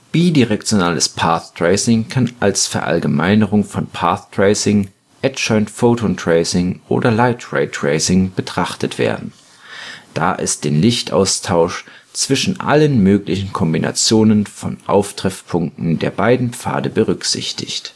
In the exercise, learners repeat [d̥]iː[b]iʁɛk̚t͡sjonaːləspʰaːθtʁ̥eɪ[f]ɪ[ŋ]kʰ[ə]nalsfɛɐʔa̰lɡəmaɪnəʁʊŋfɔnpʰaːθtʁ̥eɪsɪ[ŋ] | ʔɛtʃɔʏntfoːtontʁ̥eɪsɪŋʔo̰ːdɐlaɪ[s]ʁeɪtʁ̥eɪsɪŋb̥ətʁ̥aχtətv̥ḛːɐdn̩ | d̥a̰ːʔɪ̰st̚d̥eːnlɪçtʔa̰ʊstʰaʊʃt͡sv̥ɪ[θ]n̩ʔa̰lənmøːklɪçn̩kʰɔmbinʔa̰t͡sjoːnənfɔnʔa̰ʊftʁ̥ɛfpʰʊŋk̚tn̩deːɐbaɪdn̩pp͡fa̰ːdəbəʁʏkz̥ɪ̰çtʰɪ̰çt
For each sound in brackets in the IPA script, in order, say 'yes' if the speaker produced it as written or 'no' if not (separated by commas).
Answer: no, no, no, yes, no, yes, no, no